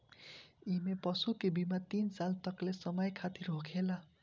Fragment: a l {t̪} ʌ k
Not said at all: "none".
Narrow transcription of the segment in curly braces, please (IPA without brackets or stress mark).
t̪